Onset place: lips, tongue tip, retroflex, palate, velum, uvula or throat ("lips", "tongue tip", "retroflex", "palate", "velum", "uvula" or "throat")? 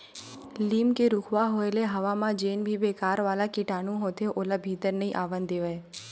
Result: tongue tip